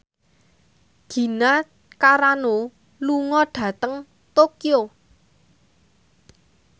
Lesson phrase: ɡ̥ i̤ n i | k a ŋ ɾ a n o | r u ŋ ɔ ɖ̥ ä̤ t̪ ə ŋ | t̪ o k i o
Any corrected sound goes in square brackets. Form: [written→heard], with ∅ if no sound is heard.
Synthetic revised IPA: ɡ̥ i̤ n [i→a] | k a [ŋ→∅] ɾ a n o | [r→l] u ŋ ɔ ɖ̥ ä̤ t̪ ə ŋ | t̪ o k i o